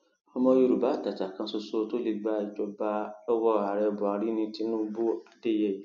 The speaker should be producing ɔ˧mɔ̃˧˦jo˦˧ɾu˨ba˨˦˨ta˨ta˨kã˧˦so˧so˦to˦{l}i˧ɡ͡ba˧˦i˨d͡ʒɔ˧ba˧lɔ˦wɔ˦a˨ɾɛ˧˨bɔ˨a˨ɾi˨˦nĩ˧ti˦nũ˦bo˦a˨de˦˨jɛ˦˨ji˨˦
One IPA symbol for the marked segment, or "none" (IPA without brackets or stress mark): l